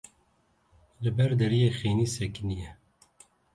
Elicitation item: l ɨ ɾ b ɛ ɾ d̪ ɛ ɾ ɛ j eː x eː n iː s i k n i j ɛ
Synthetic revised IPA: l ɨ b ɛ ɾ d̪ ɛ ɾ i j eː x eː n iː s ɛ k n i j ɛ